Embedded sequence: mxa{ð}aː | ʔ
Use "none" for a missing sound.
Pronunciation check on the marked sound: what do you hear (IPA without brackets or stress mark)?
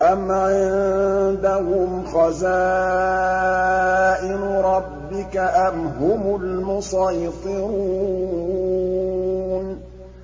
z